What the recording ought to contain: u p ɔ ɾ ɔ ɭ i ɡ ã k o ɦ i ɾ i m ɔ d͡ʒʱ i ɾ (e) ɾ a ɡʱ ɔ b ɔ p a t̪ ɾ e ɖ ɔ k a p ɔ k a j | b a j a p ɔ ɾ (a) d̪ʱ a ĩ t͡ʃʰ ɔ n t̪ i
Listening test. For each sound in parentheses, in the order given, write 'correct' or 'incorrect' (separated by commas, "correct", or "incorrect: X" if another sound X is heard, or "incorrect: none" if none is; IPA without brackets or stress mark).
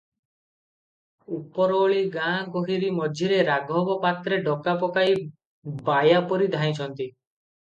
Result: correct, incorrect: i